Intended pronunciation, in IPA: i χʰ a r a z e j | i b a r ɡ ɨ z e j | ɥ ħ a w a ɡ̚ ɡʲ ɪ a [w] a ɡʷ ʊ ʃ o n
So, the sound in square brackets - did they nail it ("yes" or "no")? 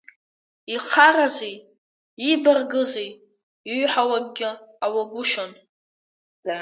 yes